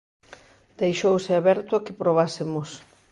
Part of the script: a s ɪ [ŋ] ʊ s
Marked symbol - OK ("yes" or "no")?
no